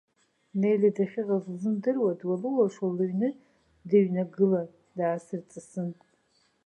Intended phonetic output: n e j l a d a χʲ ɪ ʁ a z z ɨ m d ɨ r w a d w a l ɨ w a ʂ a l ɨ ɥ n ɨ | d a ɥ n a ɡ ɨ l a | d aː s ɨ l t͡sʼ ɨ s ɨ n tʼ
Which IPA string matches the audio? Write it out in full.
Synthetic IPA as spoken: n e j l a d a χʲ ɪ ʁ a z z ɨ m d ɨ r w a d w a l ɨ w a ʂ a l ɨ ɥ n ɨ | d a ɥ n a ɡ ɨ l a | d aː s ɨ r t͡sʼ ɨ s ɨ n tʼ